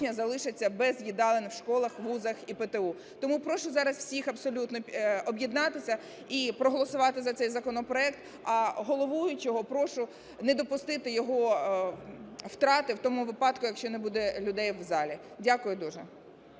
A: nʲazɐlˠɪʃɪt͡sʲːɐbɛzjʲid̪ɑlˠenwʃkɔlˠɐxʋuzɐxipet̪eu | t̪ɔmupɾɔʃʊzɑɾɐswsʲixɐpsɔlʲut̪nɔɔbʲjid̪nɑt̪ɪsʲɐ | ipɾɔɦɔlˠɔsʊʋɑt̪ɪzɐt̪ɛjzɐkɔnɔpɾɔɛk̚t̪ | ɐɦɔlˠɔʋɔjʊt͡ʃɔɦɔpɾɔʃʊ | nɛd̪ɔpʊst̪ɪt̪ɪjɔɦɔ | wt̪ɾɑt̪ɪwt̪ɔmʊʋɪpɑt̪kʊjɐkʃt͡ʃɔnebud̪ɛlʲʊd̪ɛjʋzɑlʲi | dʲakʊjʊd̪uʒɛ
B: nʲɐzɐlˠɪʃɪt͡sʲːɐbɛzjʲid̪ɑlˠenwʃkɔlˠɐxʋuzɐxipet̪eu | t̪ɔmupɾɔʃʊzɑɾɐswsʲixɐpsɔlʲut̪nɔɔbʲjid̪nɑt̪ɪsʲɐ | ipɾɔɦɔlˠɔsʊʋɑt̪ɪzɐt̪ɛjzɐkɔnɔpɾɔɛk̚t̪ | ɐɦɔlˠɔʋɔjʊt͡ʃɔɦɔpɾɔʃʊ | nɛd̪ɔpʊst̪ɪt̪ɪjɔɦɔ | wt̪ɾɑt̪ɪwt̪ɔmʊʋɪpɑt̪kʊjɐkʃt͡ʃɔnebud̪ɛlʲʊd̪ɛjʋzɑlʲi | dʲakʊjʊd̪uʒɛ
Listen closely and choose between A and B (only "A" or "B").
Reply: B